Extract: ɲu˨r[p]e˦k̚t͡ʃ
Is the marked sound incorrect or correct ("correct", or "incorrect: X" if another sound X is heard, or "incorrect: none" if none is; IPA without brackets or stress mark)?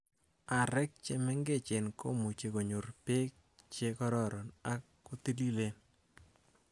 correct